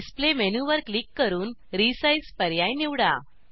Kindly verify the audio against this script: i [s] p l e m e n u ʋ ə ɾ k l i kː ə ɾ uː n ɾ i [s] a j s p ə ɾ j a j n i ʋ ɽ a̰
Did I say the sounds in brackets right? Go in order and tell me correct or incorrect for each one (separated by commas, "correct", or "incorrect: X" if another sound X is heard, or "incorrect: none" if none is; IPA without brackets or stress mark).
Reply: correct, correct